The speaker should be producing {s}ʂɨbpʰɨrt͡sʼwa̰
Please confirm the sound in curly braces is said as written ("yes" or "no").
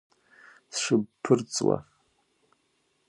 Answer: yes